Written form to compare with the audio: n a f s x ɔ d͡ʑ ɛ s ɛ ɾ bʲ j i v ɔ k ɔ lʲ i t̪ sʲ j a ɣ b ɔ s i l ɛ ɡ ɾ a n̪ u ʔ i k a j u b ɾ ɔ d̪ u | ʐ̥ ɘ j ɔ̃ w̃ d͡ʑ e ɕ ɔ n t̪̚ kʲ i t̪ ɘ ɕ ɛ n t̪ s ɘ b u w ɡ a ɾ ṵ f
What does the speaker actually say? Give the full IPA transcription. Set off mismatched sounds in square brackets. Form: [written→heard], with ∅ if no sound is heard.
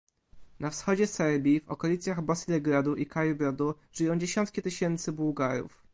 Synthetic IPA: n a f s x ɔ d͡ʑ ɛ s ɛ ɾ bʲ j i v ɔ k ɔ lʲ i t̪ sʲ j a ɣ b ɔ s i l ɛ ɡ ɾ a [n̪→d̪] u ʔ i k a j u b ɾ ɔ d̪ u | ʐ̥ ɘ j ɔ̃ w̃ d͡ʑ e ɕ ɔ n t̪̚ kʲ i t̪ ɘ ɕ ɛ n t̪ s ɘ b u w ɡ a ɾ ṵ f